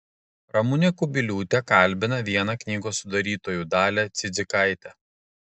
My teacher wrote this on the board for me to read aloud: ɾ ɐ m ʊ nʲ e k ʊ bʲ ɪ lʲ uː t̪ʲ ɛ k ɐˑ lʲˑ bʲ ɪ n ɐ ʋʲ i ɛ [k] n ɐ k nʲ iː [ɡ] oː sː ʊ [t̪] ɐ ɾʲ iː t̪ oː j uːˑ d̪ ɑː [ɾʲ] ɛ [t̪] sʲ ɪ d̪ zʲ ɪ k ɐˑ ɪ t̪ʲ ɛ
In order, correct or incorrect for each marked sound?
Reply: incorrect: none, correct, incorrect: d̪, incorrect: lʲ, correct

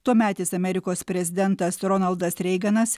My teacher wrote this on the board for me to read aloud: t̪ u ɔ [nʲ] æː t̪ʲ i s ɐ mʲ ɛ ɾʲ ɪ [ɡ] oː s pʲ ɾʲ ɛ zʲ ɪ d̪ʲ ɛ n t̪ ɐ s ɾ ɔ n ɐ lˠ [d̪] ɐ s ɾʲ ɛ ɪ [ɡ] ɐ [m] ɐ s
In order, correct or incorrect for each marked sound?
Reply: incorrect: mʲ, incorrect: k, correct, correct, incorrect: n

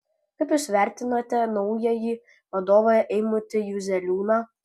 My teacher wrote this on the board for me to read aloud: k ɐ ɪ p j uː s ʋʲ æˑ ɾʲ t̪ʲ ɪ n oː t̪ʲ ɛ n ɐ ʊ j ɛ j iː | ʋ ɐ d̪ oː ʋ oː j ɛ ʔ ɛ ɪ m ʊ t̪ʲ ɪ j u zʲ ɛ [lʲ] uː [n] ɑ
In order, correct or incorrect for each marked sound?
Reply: correct, correct

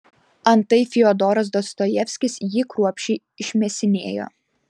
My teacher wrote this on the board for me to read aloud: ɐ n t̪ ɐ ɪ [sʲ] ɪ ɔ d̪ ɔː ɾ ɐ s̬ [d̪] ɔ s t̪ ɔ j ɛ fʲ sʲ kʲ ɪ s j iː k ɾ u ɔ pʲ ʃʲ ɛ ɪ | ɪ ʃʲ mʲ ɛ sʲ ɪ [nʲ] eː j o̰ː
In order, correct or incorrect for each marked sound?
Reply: incorrect: fʲ, correct, correct

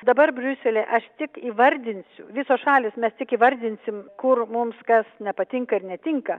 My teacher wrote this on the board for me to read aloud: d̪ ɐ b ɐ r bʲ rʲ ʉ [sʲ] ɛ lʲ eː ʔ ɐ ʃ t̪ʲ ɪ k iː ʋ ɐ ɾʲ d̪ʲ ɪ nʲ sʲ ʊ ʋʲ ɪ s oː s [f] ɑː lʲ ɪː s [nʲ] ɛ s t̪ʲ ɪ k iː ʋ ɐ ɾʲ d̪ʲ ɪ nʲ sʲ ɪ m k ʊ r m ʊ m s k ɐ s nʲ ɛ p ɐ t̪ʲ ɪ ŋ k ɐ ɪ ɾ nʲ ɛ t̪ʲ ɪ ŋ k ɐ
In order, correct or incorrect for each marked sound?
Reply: correct, incorrect: ʃ, incorrect: mʲ

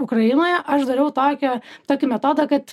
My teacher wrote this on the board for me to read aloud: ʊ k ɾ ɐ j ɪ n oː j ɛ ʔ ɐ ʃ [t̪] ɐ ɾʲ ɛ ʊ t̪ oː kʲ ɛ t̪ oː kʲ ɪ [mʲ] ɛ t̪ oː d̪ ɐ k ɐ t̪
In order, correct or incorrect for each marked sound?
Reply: incorrect: d̪, correct

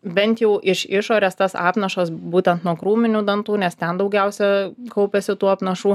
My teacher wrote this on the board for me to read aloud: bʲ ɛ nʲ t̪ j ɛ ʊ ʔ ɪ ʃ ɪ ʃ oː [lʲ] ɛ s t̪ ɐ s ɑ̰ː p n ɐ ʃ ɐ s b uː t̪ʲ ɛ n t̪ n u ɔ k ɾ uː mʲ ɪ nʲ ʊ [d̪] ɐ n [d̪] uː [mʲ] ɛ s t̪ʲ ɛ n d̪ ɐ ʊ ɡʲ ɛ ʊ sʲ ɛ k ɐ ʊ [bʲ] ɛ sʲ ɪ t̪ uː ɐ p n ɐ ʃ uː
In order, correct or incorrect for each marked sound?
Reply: incorrect: ɾʲ, correct, incorrect: t̪, incorrect: nʲ, incorrect: pʲ

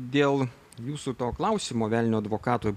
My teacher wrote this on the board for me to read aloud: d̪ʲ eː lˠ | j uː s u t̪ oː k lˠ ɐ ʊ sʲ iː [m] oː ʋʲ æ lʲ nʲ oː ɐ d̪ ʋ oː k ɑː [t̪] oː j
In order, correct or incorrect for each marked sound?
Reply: correct, correct

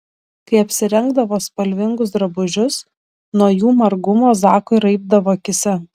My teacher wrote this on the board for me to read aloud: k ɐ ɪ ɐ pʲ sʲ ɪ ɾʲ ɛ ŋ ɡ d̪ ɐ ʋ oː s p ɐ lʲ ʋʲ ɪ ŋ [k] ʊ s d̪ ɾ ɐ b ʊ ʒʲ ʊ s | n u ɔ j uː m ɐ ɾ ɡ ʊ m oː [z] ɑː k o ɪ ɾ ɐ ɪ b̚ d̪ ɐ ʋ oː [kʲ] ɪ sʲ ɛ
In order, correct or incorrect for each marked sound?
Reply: incorrect: ɡ, correct, correct

